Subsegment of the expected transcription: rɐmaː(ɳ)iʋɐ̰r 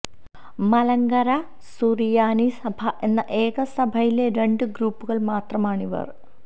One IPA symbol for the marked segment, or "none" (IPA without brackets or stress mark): ɳ